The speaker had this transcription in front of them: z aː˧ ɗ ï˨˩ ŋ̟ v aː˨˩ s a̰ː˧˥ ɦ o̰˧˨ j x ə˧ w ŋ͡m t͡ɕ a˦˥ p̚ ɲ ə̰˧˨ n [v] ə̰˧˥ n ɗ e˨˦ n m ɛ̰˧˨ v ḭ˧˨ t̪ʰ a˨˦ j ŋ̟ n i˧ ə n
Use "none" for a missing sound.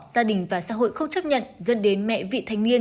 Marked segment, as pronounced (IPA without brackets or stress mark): z